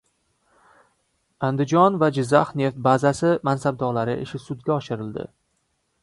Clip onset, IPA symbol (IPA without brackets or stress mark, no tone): a